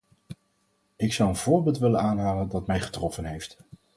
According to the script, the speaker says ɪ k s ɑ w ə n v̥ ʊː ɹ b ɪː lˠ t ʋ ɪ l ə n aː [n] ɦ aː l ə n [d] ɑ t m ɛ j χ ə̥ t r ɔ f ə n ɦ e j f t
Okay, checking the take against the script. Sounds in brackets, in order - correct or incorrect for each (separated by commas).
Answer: correct, correct